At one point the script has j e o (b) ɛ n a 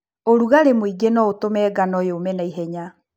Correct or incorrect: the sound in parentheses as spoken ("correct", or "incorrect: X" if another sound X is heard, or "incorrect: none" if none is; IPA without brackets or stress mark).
incorrect: m